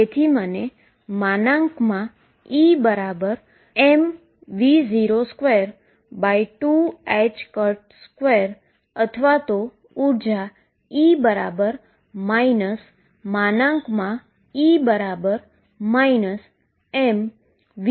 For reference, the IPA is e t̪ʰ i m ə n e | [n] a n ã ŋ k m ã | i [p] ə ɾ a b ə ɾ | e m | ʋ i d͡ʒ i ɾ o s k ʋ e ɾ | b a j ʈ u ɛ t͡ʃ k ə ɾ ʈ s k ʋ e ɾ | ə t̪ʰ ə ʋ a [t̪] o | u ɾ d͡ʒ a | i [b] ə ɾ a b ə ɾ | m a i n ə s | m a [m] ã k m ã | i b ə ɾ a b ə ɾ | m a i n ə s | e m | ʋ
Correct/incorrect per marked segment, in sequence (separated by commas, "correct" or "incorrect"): incorrect, incorrect, correct, correct, incorrect